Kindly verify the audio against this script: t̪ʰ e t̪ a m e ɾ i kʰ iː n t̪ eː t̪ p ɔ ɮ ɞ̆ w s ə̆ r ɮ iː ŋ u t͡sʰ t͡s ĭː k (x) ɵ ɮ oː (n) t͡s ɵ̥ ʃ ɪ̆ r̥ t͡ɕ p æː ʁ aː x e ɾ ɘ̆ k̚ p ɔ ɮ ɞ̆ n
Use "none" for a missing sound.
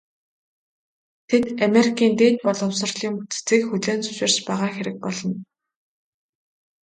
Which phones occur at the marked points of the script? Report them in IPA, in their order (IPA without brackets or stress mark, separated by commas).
x, n